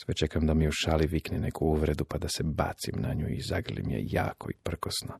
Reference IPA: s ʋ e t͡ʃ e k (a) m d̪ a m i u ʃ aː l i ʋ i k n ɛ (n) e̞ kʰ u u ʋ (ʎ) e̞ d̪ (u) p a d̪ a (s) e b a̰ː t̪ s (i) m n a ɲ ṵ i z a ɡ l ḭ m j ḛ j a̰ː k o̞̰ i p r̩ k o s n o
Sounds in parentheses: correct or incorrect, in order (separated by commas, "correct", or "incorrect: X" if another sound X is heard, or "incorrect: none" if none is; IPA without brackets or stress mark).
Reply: correct, correct, incorrect: ɾ, correct, correct, correct